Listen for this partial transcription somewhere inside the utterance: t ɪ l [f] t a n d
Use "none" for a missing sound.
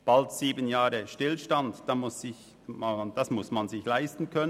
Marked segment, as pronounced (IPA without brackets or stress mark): ʃ